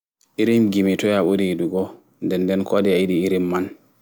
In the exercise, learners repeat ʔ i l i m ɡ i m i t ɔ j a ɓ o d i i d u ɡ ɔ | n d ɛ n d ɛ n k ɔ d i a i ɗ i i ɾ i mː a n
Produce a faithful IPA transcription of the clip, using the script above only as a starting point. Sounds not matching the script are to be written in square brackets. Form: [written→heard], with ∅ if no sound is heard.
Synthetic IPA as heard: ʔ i [l→ɾ] i m ɡ i m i t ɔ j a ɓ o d i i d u ɡ ɔ | n d ɛ n d ɛ n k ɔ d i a i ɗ i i ɾ i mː a n